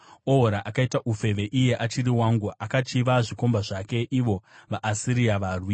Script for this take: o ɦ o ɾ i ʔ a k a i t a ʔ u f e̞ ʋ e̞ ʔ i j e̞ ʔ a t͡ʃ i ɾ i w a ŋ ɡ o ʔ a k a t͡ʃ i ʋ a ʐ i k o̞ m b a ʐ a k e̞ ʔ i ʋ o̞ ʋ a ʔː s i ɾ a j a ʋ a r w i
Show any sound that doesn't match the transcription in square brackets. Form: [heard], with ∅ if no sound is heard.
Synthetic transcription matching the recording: o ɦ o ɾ [a] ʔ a k a i t a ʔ u f e̞ ʋ e̞ ʔ i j e̞ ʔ a t͡ʃ i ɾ i w a ŋ ɡ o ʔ a k a t͡ʃ i ʋ a ʐ i k o̞ m b a ʐ a k e̞ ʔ i ʋ o̞ ʋ a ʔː s i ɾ [i] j a ʋ a r w i